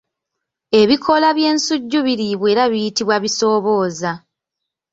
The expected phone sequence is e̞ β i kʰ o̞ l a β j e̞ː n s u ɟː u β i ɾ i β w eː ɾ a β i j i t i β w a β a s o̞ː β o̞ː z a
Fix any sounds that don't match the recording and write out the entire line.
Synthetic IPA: e̞ β i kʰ o̞ l a β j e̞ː n s u ɟː u β i ɾ i β w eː ɾ a β i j i t i β w a β i s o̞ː β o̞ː z a